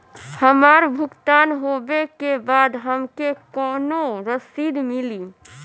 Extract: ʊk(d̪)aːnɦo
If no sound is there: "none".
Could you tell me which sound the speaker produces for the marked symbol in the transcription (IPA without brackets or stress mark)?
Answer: t̪